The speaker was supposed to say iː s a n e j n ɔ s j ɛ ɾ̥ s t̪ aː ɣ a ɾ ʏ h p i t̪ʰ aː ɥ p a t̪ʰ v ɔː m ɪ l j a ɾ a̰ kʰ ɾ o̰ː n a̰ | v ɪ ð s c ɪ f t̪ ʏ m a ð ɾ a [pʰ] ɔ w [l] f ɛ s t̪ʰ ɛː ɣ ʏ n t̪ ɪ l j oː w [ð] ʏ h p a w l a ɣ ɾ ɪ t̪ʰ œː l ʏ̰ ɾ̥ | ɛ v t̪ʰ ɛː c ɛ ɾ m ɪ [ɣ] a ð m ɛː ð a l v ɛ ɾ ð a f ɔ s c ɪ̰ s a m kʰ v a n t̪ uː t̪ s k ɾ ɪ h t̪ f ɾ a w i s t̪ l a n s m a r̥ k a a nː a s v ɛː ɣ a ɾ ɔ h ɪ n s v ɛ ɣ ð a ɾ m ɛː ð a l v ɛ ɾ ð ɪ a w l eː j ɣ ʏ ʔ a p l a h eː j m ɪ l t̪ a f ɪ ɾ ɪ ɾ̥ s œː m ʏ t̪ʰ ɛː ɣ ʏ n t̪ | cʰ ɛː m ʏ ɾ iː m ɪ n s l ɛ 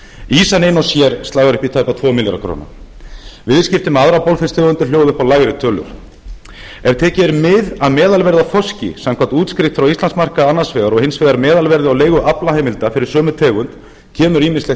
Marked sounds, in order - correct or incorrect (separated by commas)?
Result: incorrect, correct, correct, incorrect